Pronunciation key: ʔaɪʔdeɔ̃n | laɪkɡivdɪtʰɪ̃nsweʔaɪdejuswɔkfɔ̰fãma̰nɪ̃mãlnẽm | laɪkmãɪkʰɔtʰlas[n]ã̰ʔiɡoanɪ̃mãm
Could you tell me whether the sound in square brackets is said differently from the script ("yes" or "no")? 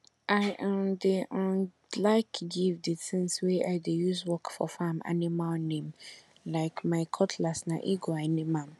no